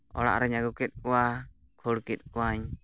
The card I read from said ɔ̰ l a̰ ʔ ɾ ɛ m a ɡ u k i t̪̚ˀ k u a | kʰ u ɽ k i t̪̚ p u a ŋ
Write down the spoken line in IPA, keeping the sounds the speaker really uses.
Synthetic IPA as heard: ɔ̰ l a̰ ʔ ɾ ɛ ɲ a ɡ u k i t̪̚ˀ k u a | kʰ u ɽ k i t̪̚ k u a ɲ